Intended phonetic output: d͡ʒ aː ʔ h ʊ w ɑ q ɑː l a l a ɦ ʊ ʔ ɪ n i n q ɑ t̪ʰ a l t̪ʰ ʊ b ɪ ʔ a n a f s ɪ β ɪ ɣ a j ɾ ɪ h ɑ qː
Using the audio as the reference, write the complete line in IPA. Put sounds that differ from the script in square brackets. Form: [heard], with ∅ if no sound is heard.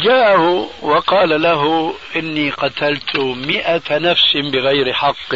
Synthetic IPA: d͡ʒ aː ʔ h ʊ w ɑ q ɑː l a l a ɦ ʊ ʔ ɪ [nː] i [∅] q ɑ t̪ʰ a l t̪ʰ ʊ [m] ɪ ʔ a n a f s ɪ [b] ɪ ɣ a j ɾ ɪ [ħ] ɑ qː